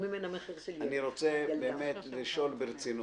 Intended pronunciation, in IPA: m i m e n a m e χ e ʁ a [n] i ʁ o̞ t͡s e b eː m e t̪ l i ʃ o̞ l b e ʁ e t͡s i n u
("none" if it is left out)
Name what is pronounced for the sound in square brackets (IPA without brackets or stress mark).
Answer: n